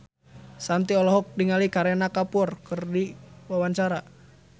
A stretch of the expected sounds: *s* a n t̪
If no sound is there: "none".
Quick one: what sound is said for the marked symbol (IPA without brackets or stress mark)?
s